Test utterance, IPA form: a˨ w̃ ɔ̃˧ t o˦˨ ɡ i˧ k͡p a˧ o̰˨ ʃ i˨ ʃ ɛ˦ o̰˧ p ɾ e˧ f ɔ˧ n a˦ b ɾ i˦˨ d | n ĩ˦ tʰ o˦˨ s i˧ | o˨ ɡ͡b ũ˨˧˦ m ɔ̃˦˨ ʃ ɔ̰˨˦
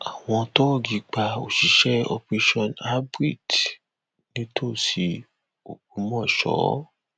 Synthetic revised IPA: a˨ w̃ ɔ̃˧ t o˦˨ ɡ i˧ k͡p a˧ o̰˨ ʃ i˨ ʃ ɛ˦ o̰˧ p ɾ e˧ ʃ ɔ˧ n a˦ b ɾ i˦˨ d | n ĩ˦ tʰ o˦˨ s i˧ | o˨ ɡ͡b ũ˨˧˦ m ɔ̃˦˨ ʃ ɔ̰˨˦